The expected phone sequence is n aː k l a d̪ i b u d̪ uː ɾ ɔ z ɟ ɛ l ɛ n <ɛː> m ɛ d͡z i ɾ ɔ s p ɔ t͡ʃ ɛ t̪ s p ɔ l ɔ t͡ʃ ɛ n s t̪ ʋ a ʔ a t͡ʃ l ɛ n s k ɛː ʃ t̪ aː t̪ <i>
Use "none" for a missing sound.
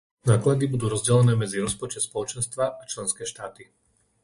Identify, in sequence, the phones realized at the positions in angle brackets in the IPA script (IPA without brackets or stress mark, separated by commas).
ɛː, i